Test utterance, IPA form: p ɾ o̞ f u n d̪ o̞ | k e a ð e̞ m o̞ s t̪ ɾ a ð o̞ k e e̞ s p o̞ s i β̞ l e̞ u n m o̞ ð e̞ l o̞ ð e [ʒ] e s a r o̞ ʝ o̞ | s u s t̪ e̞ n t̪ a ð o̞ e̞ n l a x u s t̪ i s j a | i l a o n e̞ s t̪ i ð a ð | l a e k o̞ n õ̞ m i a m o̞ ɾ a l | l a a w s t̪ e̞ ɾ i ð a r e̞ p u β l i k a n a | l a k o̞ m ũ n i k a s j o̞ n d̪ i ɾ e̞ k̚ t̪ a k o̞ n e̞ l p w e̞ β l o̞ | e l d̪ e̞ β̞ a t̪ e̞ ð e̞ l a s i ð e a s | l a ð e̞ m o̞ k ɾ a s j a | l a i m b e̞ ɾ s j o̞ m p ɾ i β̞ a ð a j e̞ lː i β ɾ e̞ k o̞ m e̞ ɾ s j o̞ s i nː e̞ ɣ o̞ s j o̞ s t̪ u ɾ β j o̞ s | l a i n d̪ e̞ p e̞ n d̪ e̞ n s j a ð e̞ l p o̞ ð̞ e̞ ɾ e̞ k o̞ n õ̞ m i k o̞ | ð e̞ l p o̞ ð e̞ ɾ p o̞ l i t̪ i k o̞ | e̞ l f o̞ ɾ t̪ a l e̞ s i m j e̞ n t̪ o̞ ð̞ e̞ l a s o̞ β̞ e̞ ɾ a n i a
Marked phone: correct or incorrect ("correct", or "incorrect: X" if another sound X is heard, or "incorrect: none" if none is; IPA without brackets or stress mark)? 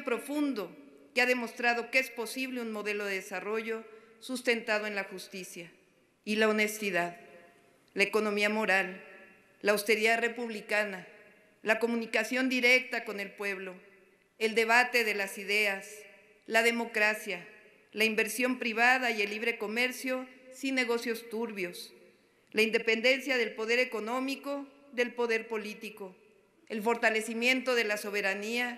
incorrect: ð